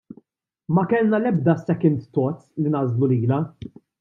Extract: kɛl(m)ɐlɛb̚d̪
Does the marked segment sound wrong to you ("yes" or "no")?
yes